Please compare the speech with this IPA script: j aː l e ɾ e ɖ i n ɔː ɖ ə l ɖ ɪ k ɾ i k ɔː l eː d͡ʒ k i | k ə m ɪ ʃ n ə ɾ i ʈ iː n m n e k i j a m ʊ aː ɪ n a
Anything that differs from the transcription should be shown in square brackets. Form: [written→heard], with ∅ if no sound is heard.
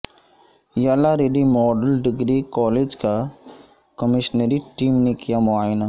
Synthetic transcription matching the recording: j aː l [e→a] ɾ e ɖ i [n→m] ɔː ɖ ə l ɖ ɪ [k→ɡ] ɾ i k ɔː l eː d͡ʒ k [i→a] | k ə m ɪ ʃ n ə ɾ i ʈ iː [n→∅] m n e k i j a m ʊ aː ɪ n a